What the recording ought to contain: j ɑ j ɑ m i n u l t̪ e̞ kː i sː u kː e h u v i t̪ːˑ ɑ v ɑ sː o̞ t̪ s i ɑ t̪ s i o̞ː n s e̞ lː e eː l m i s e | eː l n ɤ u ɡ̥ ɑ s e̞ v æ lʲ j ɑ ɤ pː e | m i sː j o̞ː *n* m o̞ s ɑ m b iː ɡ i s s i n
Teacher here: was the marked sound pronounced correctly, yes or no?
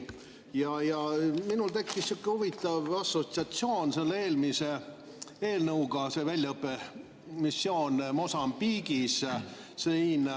yes